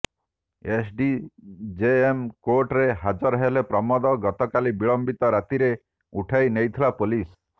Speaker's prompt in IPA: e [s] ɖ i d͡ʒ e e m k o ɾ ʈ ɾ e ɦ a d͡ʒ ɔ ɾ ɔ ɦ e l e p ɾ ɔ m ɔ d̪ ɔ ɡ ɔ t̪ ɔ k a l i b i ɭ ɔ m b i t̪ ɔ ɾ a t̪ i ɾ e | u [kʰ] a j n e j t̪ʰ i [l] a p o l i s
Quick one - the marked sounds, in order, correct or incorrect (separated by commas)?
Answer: correct, incorrect, correct